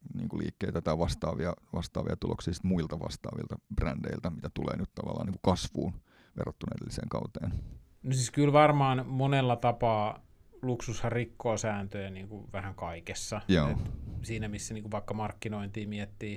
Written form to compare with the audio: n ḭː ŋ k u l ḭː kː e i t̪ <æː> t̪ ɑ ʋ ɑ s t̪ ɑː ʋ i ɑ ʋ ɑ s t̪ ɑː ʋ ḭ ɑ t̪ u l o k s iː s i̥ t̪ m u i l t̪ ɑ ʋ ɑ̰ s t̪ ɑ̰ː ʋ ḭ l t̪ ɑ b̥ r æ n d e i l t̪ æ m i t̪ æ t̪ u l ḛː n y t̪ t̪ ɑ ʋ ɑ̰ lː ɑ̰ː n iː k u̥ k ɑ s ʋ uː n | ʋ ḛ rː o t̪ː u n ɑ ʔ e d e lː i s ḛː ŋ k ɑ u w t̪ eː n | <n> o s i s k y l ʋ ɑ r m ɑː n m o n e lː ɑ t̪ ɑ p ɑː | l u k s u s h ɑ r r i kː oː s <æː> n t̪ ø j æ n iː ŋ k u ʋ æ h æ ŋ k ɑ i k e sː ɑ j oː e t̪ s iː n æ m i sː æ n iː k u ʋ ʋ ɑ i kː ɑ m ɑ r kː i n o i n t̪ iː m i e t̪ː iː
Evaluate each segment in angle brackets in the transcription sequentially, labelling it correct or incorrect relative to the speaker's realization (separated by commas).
incorrect, correct, correct